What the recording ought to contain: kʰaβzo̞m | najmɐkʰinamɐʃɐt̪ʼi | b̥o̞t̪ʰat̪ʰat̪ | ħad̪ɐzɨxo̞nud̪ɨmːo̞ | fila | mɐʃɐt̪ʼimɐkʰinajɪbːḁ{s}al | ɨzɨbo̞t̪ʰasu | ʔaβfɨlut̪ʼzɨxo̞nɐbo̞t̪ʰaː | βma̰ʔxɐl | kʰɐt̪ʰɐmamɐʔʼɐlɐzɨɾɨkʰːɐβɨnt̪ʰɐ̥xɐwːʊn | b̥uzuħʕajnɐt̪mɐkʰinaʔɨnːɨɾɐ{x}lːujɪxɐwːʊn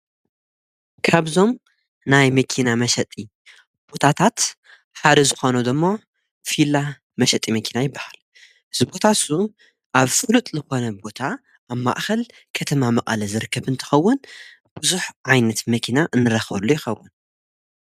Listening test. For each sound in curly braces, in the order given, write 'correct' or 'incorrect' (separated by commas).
incorrect, correct